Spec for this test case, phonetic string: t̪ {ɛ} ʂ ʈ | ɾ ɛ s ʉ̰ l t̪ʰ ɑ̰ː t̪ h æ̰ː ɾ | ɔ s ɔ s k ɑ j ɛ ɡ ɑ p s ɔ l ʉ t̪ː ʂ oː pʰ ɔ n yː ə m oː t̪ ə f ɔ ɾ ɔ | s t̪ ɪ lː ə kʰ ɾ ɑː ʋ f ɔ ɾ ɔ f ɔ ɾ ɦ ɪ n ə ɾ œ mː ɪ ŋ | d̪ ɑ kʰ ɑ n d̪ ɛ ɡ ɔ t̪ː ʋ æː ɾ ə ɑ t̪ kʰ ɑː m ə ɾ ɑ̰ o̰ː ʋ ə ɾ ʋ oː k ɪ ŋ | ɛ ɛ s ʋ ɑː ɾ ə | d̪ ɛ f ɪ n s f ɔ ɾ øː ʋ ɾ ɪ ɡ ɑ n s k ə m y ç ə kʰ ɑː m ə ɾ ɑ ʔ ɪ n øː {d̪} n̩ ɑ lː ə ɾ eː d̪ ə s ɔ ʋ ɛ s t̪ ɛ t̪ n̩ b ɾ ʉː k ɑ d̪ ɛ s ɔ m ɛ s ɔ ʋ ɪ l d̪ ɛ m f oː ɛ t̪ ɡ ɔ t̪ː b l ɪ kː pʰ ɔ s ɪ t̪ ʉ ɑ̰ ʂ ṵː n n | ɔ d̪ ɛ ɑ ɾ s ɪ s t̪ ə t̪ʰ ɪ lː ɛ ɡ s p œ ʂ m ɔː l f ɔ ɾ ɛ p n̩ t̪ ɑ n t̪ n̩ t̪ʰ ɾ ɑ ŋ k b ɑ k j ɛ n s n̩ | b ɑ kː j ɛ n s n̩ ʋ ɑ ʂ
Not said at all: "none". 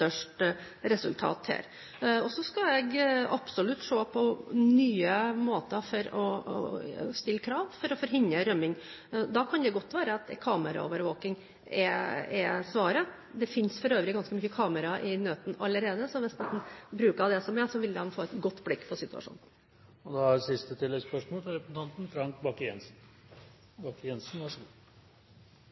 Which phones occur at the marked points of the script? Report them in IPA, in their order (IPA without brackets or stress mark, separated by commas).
œ, t̪